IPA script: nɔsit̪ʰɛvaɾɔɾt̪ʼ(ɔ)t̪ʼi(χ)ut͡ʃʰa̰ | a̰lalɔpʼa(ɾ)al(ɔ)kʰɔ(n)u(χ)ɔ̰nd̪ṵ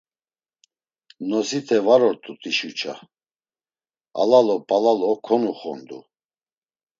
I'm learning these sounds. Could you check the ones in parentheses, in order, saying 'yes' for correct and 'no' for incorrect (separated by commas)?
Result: no, no, no, yes, yes, yes